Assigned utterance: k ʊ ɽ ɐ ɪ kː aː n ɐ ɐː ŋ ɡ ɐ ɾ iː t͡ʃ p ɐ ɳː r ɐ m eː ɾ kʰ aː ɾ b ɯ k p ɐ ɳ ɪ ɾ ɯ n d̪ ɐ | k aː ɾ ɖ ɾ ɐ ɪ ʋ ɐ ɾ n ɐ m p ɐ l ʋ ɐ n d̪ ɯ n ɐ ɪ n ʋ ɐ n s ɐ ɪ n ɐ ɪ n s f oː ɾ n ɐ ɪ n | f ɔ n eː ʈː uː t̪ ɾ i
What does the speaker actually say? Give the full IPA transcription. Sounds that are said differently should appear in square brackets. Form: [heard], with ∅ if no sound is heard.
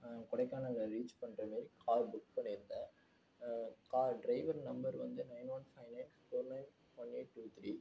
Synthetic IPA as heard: k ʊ ɽ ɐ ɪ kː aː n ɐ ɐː ŋ ɡ ɐ ɾ iː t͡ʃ p ɐ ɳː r ɐ m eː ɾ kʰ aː ɾ b [ʊ] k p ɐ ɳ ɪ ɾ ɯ n d̪ ɐ | k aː ɾ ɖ ɾ ɐ ɪ ʋ ɐ ɾ n ɐ m [b] ɐ [ɾ] ʋ ɐ n d̪ ɯ n ɐ ɪ n ʋ ɐ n [f] ɐ ɪ n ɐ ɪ n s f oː ɾ n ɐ ɪ n | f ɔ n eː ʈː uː t̪ ɾ i